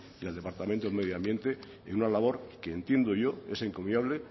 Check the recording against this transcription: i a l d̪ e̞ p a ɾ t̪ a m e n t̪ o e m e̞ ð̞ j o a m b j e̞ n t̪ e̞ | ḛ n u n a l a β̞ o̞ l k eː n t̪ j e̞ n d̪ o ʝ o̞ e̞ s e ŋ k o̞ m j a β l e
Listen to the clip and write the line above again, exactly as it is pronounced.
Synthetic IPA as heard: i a l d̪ e̞ p a ɾ t̪ a m e n t̪ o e m e̞ ð̞ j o a m b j e̞ n t̪ e̞ | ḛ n u n a l a β̞ o̞ ɾ k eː n t̪ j e̞ n d̪ o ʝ o̞ e̞ s e ŋ k o̞ m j a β l e

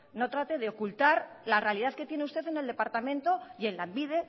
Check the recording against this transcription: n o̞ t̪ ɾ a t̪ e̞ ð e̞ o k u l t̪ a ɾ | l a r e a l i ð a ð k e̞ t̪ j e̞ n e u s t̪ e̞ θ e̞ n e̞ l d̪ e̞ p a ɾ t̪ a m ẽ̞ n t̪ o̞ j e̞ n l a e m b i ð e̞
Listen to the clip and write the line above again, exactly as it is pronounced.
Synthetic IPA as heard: n o̞ t̪ ɾ a t̪ e̞ ð e̞ o k u l t̪ a ɾ | l a r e a l i ð a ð k e̞ t̪ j e̞ n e u s t̪ e̞ θ e̞ n e̞ l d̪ e̞ p a ɾ t̪ a m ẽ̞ n t̪ o̞ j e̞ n l a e m b i ð e̞

